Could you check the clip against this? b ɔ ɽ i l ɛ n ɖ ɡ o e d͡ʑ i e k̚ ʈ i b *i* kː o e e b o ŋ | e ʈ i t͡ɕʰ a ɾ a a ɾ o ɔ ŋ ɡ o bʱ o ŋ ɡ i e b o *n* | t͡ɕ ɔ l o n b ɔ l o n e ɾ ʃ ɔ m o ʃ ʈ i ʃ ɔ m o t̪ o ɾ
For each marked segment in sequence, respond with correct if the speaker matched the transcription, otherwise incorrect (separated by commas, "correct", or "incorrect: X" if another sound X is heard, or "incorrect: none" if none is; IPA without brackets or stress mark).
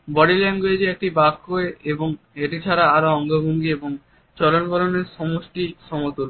incorrect: a, incorrect: ŋ